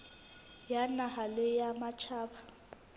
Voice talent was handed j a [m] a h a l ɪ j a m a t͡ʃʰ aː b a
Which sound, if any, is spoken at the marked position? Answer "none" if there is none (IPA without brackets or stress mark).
n